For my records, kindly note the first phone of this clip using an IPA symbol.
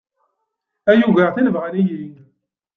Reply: æ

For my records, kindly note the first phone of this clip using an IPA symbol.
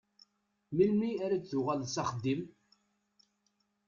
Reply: m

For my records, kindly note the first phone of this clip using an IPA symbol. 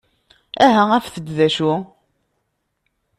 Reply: æ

